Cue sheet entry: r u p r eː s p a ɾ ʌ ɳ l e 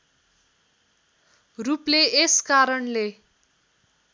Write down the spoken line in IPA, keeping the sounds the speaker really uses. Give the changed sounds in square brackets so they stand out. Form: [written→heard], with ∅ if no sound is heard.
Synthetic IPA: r u p [r→l] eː s [p→k] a ɾ ʌ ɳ l e